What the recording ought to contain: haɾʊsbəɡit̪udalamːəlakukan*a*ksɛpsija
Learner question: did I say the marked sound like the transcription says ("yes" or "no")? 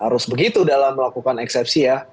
no